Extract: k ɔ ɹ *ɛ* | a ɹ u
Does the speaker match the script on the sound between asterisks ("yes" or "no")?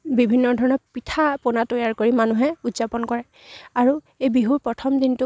yes